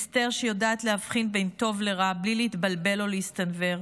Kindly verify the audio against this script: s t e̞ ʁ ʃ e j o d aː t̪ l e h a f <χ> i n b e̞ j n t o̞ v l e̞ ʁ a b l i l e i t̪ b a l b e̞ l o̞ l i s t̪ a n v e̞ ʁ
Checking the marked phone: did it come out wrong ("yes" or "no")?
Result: no